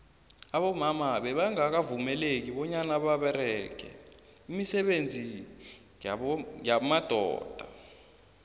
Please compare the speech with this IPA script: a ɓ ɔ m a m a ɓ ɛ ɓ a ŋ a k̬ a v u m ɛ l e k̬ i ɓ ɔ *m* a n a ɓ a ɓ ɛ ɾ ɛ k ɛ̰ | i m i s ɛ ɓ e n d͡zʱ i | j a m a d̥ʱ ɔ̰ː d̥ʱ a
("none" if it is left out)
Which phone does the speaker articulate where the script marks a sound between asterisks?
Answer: ɲ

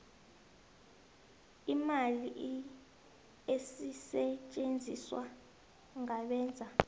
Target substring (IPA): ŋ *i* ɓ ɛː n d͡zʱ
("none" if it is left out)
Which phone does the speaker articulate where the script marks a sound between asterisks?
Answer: a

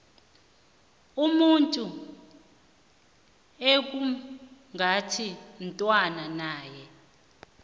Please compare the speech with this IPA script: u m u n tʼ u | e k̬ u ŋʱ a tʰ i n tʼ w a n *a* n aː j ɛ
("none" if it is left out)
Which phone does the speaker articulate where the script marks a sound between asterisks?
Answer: a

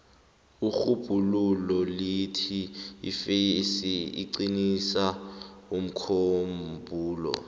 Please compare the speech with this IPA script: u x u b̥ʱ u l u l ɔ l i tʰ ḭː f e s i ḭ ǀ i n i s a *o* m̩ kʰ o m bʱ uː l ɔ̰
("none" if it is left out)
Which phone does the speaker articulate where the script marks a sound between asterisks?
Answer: u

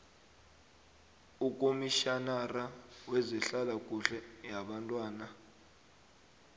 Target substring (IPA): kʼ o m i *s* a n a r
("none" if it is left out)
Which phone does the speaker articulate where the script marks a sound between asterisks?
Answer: ʃ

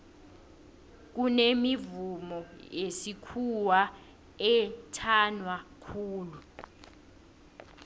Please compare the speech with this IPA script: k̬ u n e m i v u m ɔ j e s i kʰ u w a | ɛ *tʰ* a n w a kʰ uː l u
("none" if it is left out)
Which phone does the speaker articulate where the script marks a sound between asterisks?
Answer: tʰ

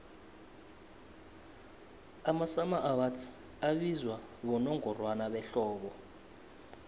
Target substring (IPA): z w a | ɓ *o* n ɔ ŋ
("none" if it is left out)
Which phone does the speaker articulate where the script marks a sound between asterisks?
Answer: ɔ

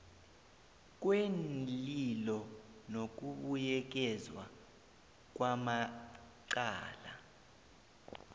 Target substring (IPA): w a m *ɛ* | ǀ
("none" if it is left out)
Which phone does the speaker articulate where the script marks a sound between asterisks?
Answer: a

